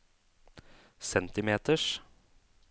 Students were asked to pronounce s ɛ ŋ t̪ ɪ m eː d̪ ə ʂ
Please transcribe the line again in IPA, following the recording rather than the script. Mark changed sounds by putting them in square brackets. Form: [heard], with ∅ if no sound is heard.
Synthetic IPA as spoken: s ɛ [n] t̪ ɪ m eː [t̪] ə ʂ